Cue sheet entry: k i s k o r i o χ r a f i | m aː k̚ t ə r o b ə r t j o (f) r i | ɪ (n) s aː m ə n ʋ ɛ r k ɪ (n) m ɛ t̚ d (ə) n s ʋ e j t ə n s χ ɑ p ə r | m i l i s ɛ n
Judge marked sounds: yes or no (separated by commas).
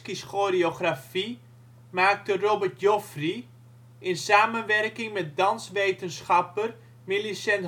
yes, yes, no, no